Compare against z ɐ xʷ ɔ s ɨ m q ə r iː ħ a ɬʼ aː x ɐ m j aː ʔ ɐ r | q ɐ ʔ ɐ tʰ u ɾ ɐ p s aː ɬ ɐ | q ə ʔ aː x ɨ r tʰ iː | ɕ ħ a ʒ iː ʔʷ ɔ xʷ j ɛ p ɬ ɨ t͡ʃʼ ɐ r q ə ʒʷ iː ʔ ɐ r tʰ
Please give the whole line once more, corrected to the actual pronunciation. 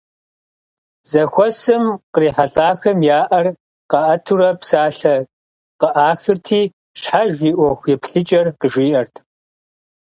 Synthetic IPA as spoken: z ɐ xʷ ɔ s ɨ m q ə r iː ħ a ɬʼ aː x ɐ m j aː ʔ ɐ r | q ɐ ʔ ɐ tʰ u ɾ ɐ p s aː ɬ ɐ | q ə ʔ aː x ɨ r tʰ iː | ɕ ħ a ʒ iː ʔʷ ɔ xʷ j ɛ p ɬ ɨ t͡ʃʼ ɐ r q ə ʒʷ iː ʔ ɐ r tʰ

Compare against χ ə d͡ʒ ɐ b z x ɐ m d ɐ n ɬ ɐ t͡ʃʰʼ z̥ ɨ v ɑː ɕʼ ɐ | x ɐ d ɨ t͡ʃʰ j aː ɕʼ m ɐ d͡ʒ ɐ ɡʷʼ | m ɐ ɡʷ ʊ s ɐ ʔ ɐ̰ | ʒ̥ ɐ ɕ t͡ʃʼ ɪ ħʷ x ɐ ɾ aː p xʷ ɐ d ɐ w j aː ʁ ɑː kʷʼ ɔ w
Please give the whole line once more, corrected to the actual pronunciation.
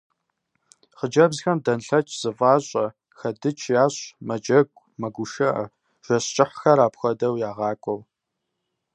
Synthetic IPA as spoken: χ ə d͡ʒ ɐ b z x ɐ m d ɐ n ɬ ɐ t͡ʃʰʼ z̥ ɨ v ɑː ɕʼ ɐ | x ɐ d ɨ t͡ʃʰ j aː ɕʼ m ɐ d͡ʒ ɐ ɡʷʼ | m ɐ ɡʷ ʊ ʃ ɐ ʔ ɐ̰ | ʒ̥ ɐ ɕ t͡ʃʼ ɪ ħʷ x ɐ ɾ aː p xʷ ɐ d ɐ w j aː ʁ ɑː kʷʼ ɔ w

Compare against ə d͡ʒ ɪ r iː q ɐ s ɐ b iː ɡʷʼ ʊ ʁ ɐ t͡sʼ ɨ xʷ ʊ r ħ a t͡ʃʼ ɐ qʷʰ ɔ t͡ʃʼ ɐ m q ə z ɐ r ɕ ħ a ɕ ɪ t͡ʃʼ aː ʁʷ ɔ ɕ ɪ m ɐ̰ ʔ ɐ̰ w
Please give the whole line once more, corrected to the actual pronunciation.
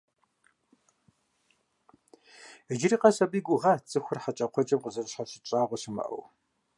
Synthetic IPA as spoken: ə d͡ʒ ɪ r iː q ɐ s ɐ b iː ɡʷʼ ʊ ʁ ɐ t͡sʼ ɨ xʷ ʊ r ħ a t͡ʃʼ ɐ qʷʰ ɔ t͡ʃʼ ɐ m q ə z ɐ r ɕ ħ a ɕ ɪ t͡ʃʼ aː ʁʷ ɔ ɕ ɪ m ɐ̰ ʔ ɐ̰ w

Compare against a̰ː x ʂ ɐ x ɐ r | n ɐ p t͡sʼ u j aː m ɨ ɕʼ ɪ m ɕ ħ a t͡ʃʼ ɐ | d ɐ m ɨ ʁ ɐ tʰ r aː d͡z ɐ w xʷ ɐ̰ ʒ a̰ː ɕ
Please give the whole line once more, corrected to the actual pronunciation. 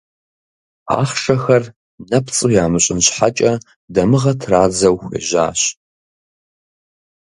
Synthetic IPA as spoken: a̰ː χ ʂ ɐ x ɐ r | n ɐ p t͡sʼ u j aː m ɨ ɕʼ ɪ n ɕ ħ a t͡ʃʼ ɐ | d ɐ m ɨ ʁ ɐ tʰ r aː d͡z ɐ w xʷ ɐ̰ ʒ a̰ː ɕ

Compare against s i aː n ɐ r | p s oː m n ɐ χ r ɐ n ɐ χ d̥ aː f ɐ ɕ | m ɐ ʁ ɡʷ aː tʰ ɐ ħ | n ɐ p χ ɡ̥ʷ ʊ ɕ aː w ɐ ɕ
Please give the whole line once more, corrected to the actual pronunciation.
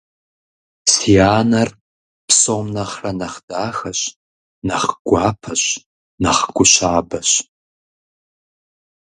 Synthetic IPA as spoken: s i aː n ɐ r | p s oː m n ɐ χ r ɐ n ɐ χ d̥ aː x ɐ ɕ | n ɐ χ ɡʷ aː pʰ ɐ ɕ | n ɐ χ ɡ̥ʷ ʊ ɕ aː b ɐ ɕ

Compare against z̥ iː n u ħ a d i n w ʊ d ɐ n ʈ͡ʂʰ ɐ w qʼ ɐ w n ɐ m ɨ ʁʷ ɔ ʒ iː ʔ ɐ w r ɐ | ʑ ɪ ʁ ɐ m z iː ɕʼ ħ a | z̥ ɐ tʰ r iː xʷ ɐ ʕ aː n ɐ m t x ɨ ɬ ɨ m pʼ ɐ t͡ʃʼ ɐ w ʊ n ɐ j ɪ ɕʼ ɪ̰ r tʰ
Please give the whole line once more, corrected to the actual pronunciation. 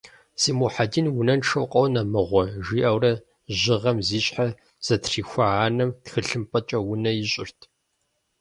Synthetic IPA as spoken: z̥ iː m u ħ a d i n w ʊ n ɐ n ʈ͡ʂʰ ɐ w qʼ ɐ w n ɐ m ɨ ʁʷ ɔ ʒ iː ʔ ɐ w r ɐ | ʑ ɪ ʁ ɐ m z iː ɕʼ ħ a | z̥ ɐ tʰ r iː xʷ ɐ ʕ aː n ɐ m t x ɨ ɬ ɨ m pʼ ɐ t͡ʃʼ ɐ w ʊ n ɐ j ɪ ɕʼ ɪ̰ r tʰ

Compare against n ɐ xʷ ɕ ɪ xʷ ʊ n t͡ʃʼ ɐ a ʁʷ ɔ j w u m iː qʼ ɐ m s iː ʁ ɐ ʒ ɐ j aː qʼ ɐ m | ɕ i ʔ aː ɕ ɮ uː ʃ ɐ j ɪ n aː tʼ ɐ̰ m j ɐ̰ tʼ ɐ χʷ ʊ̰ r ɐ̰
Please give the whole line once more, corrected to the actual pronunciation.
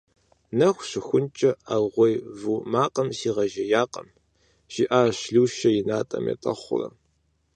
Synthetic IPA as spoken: n ɐ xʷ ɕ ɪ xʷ ʊ n t͡ʃʼ ɐ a ʁʷ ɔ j v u m aː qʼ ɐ m s iː ʁ ɐ ʒ ɐ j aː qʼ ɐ m | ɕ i ʔ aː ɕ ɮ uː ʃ ɐ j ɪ n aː tʼ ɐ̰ m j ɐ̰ tʼ ɐ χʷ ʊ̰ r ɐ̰

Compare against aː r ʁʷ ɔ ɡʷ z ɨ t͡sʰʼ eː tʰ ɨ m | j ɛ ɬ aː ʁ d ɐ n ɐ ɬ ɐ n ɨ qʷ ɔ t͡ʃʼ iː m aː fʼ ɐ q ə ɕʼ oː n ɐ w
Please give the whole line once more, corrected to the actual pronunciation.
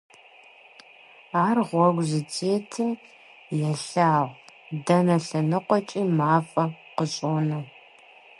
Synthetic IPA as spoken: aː r ʁʷ ɔ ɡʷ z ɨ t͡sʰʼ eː tʰ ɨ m | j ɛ ɬ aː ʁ d ɐ n ɐ ɬ ɐ n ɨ qʷ ɔ t͡ʃʼ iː m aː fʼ ɐ q ə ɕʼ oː n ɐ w

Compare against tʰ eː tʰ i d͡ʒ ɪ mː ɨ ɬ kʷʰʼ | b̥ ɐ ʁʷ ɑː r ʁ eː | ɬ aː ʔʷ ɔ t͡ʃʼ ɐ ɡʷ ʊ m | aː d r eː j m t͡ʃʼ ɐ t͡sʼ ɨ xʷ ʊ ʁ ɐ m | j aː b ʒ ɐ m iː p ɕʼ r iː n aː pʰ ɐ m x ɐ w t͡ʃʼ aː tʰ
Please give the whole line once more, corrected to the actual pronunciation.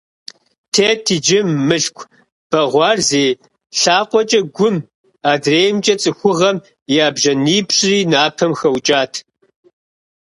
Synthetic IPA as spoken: tʰ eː tʰ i d͡ʒ ɪ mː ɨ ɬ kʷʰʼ | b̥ ɐ ʁʷ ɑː r z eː | ɬ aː qʷ ɔ t͡ʃʼ ɐ ɡʷ ʊ m | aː d r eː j m t͡ʃʼ ɐ t͡sʼ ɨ xʷ ʊ ʁ ɐ m | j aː b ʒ ɐ n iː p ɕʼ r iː n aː pʰ ɐ m x ɐ w t͡ʃʼ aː tʰ

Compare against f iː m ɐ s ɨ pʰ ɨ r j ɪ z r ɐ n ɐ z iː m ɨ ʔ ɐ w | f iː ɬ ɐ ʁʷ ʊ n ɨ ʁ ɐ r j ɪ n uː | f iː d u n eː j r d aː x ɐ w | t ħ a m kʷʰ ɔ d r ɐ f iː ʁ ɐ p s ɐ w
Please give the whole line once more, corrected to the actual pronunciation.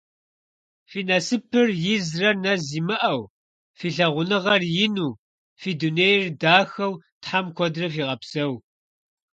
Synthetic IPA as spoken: f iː n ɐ s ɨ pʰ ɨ r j ɪ z r ɐ n ɐ z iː m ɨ ʔ ɐ w | f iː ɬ ɐ ʁʷ ʊ n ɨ ʁ ɐ r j ɪ n uː | f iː d u n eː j r d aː x ɐ w | t ħ a m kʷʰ ɔ d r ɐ f iː ʁ ɐ p s ɐ w

